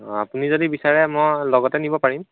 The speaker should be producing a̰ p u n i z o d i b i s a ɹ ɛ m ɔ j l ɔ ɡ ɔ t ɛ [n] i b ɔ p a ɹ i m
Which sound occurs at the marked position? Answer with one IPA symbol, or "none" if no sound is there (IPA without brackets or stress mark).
n